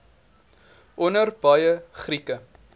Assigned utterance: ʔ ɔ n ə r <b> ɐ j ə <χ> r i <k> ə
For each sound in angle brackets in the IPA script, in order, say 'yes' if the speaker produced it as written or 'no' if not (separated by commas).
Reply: yes, yes, yes